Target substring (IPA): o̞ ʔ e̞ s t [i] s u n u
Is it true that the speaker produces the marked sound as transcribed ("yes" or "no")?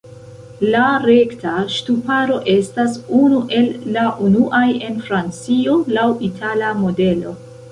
no